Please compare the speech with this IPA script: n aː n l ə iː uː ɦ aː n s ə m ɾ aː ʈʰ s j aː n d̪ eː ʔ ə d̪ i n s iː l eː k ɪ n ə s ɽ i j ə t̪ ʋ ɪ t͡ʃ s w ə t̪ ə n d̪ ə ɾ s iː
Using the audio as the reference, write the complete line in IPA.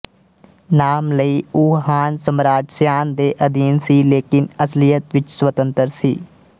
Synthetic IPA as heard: n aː m l ə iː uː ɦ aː n s ə m ɾ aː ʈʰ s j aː n d̪ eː ʔ ə d̪ iː n s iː l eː k ɪ n ə s l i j ə t̪ ʋ ɪ t͡ʃ s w ə t̪ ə n t̪ ə ɾ s iː